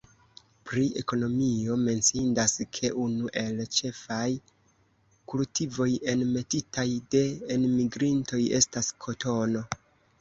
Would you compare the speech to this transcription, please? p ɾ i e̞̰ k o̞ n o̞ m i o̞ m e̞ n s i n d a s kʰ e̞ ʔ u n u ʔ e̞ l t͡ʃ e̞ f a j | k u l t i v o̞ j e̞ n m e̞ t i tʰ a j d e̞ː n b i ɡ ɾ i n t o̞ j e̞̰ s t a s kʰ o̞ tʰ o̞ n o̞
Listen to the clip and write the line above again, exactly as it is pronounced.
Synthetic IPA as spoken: p ɾ i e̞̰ k o̞ n o̞ m i o̞ m e̞ n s i n d a s kʰ e̞ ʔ u n u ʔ e̞ l t͡ʃ e̞ f a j | k u l t i v o̞ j e̞ n m e̞ t i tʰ a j d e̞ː n m i ɡ ɾ i n t o̞ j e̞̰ s t a s kʰ o̞ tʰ o̞ n o̞